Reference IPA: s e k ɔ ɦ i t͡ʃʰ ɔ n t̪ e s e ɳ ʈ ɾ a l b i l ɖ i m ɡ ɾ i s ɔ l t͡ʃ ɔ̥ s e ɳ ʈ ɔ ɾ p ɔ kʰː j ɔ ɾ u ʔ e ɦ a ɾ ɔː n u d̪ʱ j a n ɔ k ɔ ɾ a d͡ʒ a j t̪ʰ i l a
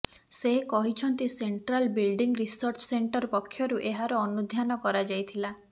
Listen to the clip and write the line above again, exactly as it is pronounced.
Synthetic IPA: s e k ɔ ɦ i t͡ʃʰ ɔ n t̪ i s e ɳ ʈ ɾ a l b i l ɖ i ŋ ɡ ɾ i s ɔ ɾ t͡ʃ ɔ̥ s e ɳ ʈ ɔ ɾ p ɔ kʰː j ɔ ɾ u ʔ e ɦ a ɾ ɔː n u d̪ʱ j a n ɔ k ɔ ɾ a d͡ʒ a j t̪ʰ i l a